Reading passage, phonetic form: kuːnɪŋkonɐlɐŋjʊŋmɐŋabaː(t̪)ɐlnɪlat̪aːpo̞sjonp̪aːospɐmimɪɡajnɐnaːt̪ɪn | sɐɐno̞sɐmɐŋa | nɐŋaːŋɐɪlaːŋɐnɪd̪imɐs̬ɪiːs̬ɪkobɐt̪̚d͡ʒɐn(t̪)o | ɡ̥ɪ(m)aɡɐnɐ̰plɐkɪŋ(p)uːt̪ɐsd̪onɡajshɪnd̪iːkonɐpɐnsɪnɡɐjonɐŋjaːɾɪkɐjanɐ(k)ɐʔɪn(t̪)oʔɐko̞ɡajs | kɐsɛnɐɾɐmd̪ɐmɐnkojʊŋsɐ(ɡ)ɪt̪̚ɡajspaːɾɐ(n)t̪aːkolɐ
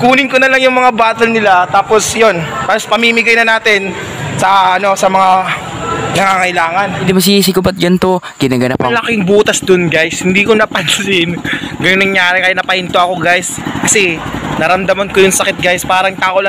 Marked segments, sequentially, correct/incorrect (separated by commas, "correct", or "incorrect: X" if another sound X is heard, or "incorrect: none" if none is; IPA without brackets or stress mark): correct, correct, incorrect: n, incorrect: b, incorrect: p, correct, incorrect: k, incorrect: ŋ